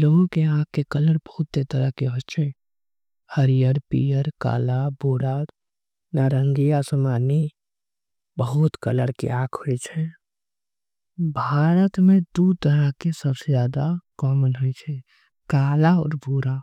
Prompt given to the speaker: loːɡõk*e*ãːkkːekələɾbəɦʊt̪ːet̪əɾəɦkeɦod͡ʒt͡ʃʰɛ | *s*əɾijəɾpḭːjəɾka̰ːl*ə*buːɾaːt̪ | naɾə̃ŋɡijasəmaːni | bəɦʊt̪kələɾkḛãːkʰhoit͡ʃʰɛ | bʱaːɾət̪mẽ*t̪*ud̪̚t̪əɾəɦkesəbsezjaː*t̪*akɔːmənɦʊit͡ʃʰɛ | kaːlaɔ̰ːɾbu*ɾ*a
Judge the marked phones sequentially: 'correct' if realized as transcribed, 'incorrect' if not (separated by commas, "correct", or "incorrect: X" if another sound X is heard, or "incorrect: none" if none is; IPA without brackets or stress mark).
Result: correct, incorrect: h, incorrect: a, incorrect: d̪, incorrect: d̪, correct